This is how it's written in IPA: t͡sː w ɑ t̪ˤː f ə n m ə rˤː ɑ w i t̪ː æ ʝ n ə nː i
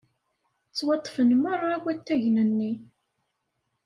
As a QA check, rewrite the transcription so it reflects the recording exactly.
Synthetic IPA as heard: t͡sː w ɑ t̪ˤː f ə n m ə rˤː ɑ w æ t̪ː æ ʝ n ə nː i